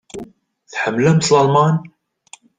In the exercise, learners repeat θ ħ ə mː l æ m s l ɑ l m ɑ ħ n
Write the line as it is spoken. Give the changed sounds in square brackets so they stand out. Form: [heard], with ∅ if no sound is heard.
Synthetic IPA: θ ħ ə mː l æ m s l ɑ l m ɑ [∅] n